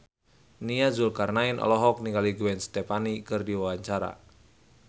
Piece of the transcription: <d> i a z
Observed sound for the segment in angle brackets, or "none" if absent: n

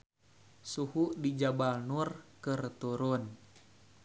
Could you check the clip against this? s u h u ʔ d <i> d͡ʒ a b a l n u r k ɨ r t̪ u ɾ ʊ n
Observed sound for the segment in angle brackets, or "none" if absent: i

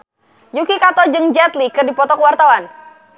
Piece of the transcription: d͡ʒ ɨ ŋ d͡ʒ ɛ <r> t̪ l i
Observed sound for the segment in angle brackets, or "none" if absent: none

